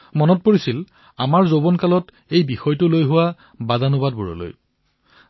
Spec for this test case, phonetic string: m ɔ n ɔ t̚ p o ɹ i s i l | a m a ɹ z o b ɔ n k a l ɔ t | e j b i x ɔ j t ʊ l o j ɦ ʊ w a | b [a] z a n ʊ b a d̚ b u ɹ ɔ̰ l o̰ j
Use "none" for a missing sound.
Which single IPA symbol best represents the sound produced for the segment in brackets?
a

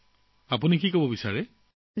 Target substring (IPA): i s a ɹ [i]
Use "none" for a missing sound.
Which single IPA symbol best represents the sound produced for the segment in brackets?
ɛ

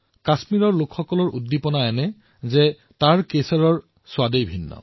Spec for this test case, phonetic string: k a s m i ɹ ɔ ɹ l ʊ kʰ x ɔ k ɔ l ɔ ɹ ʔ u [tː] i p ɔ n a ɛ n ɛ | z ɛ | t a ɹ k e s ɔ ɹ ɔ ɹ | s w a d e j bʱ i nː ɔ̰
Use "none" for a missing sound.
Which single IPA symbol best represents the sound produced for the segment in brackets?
dː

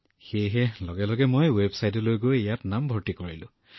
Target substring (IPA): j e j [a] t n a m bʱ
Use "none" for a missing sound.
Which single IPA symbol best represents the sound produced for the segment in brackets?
a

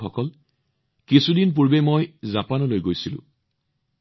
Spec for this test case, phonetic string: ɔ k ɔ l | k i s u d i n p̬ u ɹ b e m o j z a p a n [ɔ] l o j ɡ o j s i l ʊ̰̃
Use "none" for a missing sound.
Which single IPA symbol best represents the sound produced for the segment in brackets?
ɔ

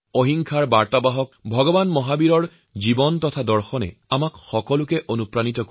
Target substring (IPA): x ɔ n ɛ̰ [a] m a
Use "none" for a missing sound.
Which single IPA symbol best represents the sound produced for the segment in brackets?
a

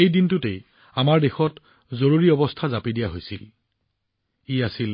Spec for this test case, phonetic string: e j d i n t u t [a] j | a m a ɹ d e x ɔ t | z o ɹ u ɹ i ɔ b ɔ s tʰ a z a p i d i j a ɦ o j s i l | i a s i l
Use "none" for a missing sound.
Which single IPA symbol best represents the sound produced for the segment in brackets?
e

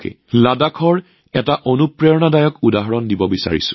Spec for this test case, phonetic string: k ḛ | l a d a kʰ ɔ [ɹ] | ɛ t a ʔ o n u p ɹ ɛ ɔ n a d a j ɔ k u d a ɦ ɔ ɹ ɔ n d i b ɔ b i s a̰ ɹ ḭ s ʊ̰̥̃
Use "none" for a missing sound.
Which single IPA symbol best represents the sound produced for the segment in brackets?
ɹ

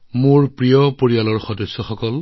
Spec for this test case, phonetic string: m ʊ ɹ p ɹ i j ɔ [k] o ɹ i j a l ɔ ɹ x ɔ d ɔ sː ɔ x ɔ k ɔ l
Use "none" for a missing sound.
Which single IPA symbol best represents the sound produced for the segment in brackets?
p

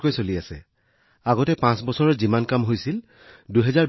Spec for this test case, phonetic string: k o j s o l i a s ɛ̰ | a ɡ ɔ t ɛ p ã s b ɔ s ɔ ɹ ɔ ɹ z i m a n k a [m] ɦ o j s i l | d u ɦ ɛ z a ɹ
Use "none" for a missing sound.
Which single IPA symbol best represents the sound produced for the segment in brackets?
m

